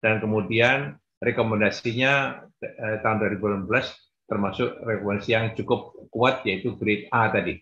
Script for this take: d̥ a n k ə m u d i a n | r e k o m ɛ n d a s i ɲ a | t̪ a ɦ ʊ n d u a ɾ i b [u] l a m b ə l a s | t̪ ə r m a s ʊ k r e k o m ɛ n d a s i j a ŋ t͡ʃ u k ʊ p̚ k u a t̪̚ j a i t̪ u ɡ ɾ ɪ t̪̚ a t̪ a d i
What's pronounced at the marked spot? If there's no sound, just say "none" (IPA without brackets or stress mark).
u